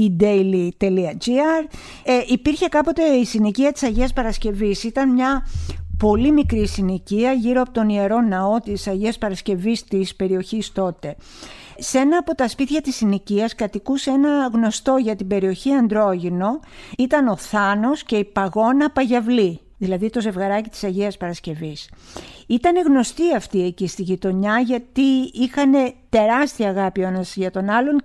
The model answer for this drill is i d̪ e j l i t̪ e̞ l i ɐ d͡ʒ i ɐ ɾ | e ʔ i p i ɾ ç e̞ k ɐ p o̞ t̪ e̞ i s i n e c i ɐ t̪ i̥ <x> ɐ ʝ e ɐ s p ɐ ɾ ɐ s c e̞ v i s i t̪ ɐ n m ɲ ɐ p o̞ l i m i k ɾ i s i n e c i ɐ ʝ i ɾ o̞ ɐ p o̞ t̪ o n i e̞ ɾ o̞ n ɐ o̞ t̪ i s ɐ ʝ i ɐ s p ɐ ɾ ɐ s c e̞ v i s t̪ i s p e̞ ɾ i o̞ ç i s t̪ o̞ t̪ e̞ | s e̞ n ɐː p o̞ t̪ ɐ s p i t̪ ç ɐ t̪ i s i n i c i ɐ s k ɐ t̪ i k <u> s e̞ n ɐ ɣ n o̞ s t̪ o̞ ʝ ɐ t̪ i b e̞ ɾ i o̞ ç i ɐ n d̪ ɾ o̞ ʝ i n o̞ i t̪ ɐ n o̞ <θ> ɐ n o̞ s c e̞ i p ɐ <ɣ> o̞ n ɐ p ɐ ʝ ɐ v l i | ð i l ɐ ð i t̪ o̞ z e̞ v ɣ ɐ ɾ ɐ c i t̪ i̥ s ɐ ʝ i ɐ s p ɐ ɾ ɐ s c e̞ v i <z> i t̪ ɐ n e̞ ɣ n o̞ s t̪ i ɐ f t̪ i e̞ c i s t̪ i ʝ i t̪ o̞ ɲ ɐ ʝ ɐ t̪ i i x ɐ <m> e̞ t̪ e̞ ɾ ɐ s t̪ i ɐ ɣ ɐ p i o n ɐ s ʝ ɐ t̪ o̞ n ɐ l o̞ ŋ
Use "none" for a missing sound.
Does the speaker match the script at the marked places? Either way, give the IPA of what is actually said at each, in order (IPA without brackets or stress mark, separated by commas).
s, u, θ, ɣ, s, n